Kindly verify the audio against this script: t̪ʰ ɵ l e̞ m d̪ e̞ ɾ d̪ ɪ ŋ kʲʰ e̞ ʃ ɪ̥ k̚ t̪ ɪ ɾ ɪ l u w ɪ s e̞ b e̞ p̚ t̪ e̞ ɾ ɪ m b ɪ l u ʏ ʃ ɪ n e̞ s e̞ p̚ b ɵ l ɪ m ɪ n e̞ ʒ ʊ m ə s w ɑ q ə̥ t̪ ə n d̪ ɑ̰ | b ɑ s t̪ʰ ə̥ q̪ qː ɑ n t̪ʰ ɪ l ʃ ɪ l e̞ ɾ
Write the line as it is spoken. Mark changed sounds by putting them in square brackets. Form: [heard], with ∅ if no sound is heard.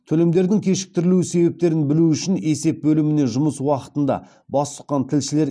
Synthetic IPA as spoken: t̪ʰ ɵ l e̞ m d̪ e̞ ɾ d̪ ɪ ŋ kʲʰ e̞ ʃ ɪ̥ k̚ t̪ ɪ ɾ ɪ l u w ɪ s e̞ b e̞ p̚ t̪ e̞ ɾ ɪ [n] b ɪ l u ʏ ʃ ɪ n e̞ s e̞ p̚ b ɵ l ɪ m ɪ n e̞ ʒ ʊ m ə s w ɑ q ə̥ t̪ ə n d̪ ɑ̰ | b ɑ s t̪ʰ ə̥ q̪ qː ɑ n t̪ʰ ɪ l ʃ ɪ l e̞ ɾ